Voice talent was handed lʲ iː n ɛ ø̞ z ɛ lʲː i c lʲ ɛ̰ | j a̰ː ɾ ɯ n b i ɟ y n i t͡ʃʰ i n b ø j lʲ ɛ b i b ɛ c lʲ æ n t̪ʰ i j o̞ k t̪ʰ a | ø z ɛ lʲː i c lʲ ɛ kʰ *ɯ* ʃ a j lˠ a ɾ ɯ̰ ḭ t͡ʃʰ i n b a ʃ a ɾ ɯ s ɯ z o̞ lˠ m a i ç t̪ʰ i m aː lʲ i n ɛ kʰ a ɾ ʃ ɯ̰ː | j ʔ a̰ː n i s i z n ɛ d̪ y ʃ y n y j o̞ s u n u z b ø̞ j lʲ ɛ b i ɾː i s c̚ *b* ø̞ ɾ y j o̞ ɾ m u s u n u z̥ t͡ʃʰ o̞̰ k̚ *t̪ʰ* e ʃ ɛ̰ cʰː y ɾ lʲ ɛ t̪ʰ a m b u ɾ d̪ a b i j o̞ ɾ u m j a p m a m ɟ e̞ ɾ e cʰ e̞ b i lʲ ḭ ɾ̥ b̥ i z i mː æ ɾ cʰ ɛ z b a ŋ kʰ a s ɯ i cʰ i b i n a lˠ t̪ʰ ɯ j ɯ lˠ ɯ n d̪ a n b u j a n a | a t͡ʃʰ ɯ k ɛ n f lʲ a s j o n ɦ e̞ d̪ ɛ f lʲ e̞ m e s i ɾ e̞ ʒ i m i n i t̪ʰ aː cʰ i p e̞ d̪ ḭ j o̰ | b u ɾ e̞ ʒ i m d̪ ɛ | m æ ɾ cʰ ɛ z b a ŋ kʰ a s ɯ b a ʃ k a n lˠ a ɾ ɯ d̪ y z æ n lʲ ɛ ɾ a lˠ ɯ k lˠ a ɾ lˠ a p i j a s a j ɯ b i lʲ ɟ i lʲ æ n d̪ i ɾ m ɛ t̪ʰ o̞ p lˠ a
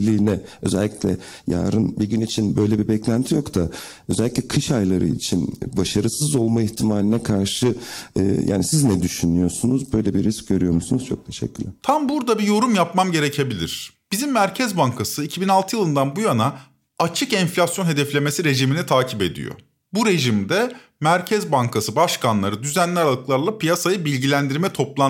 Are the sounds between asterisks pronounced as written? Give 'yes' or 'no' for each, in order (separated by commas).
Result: yes, no, yes